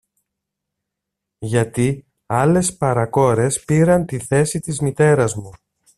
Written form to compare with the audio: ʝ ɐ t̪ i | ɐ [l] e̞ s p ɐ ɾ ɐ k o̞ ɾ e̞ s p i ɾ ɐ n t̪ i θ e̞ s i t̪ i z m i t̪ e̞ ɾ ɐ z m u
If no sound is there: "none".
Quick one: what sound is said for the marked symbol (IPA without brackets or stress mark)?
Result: l